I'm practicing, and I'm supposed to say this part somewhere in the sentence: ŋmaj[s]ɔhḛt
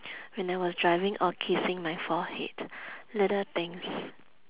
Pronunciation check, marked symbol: incorrect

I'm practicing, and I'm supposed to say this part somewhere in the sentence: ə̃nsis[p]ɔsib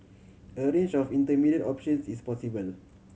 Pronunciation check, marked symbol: correct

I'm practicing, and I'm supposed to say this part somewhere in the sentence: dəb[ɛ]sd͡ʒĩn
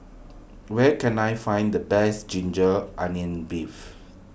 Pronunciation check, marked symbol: correct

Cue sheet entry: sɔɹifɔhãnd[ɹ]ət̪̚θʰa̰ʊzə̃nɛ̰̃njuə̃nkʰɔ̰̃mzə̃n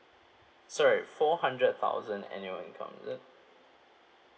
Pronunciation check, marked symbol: correct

